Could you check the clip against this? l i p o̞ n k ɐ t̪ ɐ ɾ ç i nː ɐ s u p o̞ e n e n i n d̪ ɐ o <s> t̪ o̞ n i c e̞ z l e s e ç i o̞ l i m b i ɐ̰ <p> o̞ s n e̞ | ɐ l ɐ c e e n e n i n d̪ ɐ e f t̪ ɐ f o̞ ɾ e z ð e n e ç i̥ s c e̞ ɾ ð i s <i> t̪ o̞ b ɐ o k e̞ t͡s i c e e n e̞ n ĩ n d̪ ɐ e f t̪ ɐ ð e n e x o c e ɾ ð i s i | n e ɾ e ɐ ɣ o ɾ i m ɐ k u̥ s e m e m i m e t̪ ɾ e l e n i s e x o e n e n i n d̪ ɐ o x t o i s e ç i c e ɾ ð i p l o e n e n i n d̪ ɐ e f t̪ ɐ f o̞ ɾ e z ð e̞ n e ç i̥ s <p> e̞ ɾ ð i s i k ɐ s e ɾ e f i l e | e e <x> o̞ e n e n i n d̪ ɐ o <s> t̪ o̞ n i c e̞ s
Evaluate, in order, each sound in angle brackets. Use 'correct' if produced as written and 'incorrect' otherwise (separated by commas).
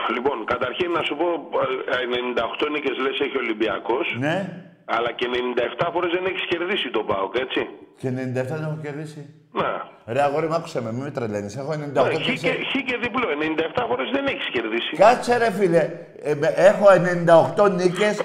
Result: incorrect, incorrect, correct, incorrect, correct, incorrect